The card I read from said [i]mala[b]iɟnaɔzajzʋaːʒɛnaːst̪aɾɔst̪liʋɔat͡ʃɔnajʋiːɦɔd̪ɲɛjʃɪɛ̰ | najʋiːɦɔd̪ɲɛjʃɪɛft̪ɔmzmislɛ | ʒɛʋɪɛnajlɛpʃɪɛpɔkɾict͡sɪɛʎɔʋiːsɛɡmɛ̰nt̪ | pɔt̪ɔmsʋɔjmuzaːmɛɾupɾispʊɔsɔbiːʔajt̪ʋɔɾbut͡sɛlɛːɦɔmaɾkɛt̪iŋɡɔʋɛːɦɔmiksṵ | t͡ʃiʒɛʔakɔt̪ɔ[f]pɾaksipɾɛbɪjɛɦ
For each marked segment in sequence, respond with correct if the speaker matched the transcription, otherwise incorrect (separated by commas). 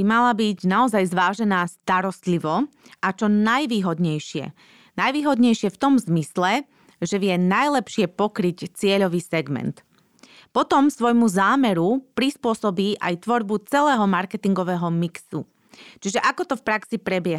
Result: correct, correct, correct